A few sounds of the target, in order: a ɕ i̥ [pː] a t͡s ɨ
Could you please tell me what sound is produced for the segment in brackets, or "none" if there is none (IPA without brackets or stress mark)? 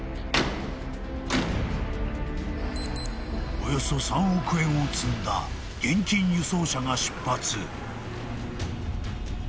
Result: pː